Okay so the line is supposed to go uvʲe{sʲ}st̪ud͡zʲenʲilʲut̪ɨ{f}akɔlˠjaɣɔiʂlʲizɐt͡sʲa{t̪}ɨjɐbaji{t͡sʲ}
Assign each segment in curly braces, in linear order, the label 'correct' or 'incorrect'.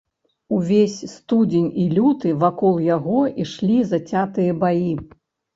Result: correct, incorrect: v, correct, incorrect: none

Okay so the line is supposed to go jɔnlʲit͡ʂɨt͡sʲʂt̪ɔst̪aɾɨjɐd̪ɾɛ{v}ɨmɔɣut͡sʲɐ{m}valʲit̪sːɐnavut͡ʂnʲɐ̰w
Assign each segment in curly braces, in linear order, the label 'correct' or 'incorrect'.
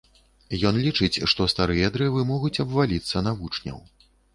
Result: correct, incorrect: b

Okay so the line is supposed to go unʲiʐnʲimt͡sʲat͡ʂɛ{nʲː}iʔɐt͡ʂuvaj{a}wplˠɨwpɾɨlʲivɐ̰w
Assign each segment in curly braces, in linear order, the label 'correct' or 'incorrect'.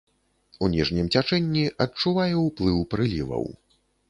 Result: correct, incorrect: ɛ

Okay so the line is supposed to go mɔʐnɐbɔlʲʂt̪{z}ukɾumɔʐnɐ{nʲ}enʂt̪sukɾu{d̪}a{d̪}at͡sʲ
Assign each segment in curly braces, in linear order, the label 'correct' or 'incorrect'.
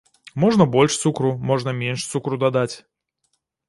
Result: incorrect: s, incorrect: mʲ, correct, correct

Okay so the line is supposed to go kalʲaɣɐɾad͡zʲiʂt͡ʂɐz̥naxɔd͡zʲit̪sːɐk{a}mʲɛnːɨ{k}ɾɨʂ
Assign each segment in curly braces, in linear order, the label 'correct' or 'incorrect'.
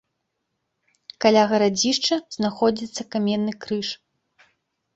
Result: correct, correct

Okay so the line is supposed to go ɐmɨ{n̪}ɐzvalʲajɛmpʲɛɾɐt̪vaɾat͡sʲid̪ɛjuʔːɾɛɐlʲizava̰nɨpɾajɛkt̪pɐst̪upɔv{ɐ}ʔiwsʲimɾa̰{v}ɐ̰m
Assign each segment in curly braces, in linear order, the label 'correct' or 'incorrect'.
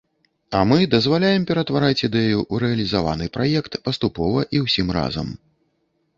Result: incorrect: d̪, correct, incorrect: z

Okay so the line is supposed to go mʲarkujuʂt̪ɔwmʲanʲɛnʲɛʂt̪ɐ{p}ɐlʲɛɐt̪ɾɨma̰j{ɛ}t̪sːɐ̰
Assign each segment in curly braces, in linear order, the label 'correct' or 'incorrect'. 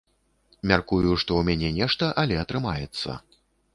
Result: incorrect: ʔ, correct

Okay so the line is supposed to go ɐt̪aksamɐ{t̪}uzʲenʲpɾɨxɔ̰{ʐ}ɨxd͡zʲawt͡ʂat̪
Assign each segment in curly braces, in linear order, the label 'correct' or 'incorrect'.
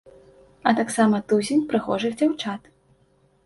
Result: correct, correct

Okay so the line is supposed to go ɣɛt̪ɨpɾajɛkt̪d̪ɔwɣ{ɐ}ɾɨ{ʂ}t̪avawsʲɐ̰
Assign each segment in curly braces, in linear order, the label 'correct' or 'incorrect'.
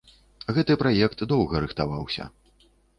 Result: correct, incorrect: x

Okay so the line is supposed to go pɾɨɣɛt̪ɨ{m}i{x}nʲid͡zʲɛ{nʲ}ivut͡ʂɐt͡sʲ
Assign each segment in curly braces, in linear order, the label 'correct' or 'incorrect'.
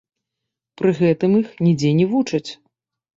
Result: correct, correct, correct

